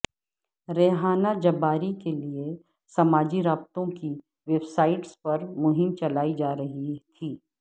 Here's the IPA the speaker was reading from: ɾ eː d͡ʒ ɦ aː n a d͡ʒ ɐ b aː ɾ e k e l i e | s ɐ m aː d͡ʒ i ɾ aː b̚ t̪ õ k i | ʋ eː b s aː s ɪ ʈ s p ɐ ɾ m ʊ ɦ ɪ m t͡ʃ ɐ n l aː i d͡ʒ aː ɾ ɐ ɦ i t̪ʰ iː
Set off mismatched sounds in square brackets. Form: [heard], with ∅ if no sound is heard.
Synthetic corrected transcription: ɾ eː [∅] ɦ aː n a d͡ʒ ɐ b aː ɾ [i] k e l i e | s ɐ m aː d͡ʒ i ɾ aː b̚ t̪ õ k i | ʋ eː b s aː [∅] ɪ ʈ s p ɐ ɾ m ʊ ɦ ɪ m t͡ʃ ɐ [∅] l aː i d͡ʒ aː ɾ ɐ ɦ i t̪ʰ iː